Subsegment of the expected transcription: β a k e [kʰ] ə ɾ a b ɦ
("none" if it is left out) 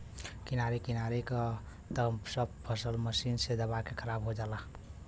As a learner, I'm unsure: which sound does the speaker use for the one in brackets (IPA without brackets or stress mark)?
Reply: kʰ